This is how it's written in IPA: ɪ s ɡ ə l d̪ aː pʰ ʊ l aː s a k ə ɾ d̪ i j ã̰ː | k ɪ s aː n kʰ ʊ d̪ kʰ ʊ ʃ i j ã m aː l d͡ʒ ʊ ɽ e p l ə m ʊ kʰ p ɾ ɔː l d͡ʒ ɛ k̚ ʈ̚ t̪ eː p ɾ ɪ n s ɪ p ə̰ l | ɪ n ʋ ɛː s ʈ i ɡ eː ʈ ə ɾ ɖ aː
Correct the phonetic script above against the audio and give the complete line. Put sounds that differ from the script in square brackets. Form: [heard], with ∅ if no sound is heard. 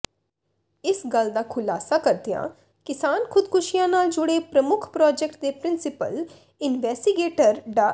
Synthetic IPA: ɪ s ɡ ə l d̪ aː [kʰ] ʊ l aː s a k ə ɾ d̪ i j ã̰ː | k ɪ s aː n kʰ ʊ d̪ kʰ ʊ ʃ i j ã [n] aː l d͡ʒ ʊ ɽ e p [ɾ] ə m ʊ kʰ p ɾ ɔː [∅] d͡ʒ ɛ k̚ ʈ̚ [d̪] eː p ɾ ɪ n s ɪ p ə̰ l | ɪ n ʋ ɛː s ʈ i ɡ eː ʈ ə ɾ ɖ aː